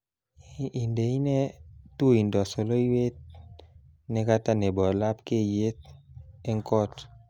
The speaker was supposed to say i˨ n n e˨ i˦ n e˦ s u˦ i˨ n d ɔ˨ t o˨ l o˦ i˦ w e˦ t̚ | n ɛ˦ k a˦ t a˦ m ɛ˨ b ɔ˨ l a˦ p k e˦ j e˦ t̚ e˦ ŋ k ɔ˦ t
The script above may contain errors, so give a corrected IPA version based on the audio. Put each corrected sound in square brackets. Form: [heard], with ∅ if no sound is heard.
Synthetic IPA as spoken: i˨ n [d] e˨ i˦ n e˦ [t] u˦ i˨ n d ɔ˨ [s] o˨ l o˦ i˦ w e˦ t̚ | n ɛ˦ k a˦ t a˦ [n] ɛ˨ b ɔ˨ l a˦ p k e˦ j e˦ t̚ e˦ ŋ k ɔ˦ t